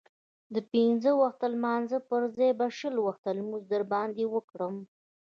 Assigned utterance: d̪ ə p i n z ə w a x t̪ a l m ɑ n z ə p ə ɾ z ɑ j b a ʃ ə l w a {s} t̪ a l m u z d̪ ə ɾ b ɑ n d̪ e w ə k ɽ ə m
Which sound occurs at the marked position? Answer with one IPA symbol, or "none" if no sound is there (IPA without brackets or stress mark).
x